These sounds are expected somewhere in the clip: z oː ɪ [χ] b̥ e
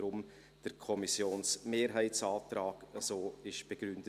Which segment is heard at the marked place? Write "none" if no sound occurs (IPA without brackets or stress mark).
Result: ʃ